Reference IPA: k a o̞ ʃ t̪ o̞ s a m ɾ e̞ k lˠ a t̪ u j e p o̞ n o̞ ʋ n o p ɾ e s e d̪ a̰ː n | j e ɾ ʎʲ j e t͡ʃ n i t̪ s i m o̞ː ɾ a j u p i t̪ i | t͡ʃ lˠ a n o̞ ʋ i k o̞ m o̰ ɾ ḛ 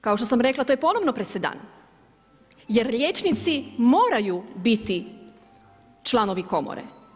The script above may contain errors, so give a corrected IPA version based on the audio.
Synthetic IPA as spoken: k a o̞ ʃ t̪ o̞ s a m ɾ e̞ k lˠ a t̪ o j e p o̞ n o̞ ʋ n o p ɾ e s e d̪ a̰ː n | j e ɾ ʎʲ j e t͡ʃ n i t̪ s i m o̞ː ɾ a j u b i t̪ i | t͡ʃ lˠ a n o̞ ʋ i k o̞ m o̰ ɾ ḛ